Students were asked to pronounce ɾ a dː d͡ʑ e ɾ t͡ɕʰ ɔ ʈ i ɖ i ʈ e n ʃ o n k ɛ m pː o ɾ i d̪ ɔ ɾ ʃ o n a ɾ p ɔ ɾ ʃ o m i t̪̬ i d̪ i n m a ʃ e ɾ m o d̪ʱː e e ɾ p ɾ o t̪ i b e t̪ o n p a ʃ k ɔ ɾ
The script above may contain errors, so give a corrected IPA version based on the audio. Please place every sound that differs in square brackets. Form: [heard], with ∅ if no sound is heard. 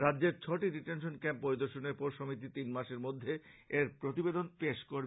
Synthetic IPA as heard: ɾ a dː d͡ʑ e ɾ t͡ɕʰ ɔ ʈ i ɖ i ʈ e n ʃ o n k ɛ m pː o ɾ i d̪ [o] ɾ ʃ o n [e] ɾ p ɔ ɾ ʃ o m i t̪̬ i [t̪] i n m a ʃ e ɾ m o d̪ʱː e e ɾ p ɾ o t̪ i b e [d̪] o n p [e] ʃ k [o] ɾ

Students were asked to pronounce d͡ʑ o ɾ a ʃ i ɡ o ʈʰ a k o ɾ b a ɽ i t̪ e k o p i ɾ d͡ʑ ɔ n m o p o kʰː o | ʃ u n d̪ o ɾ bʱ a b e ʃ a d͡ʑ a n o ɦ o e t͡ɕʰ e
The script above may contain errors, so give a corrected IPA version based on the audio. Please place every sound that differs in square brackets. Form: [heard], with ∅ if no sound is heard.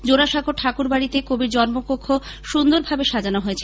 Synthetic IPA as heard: d͡ʑ o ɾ a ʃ [a] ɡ o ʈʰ a k [u] ɾ b a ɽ i t̪ e k o [b] i ɾ d͡ʑ ɔ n m o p o kʰː o | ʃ u n d̪ o ɾ bʱ a b e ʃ a d͡ʑ a n o ɦ o e t͡ɕʰ e

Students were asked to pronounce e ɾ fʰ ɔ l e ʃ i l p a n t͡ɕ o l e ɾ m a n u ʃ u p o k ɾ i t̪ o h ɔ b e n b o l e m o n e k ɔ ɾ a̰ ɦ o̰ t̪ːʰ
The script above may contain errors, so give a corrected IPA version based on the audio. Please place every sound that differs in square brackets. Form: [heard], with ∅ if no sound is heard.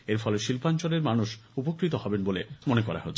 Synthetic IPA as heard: e ɾ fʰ ɔ l e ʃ i l p a n t͡ɕ o l e ɾ m a n u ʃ u p o k ɾ i t̪ o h ɔ b e n b o l e m o n e k ɔ ɾ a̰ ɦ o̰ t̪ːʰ

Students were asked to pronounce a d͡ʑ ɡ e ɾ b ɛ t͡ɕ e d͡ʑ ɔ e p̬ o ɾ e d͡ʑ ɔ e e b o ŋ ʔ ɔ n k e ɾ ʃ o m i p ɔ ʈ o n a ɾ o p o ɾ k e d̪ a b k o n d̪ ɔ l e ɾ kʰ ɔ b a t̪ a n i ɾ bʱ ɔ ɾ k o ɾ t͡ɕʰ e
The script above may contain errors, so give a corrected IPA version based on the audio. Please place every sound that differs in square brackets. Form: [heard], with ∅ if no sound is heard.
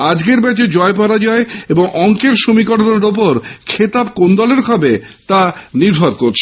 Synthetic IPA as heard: a d͡ʑ ɡ e ɾ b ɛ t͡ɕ e d͡ʑ ɔ e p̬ [ɔ] ɾ [a] d͡ʑ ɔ e e b o ŋ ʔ ɔ [ŋ] k e ɾ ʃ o m i [k] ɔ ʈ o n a ɾ o p o ɾ [kʰ] e [t̪] a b k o n d̪ ɔ l e ɾ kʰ ɔ b [e] t̪ a n i ɾ bʱ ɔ ɾ k o ɾ t͡ɕʰ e

